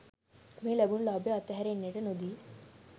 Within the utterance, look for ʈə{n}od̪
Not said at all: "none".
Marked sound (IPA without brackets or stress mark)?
n